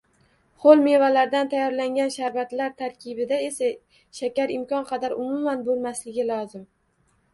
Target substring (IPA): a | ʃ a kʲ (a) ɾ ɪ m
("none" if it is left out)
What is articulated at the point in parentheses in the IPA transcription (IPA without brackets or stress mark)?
a